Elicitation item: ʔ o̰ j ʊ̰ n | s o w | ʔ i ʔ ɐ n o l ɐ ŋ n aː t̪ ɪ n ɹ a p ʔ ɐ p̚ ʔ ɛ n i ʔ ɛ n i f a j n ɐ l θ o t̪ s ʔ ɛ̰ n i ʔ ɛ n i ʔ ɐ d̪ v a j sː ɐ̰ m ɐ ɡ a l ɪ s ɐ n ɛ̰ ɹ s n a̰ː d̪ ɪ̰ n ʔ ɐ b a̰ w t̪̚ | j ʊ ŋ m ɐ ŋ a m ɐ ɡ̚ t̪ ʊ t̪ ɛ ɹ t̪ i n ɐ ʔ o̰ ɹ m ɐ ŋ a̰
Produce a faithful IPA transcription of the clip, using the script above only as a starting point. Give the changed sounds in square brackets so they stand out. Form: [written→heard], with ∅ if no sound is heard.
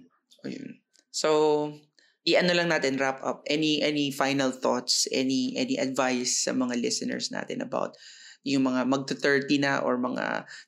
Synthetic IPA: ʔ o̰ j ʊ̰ n | s o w | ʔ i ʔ ɐ n o l ɐ ŋ n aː t̪ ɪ n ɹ a p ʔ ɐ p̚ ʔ ɛ n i ʔ ɛ n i f a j n ɐ l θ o t̪ s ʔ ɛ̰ n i ʔ ɛ n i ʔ ɐ d̪ v a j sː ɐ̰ m ɐ [ɡ→ŋ] a l ɪ s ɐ n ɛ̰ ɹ s n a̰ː [d̪→t̪] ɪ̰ n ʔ ɐ b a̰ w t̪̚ | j ʊ ŋ m ɐ ŋ a m ɐ ɡ̚ t̪ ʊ t̪ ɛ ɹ t̪ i n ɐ ʔ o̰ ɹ m ɐ ŋ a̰